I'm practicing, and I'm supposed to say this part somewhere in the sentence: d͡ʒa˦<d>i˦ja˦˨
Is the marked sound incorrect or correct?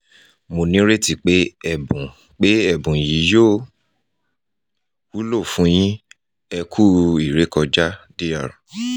correct